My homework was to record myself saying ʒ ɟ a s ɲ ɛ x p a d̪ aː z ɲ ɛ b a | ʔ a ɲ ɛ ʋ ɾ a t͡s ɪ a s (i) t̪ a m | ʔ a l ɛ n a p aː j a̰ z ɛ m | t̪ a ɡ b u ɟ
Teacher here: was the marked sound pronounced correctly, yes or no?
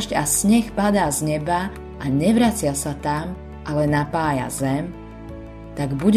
no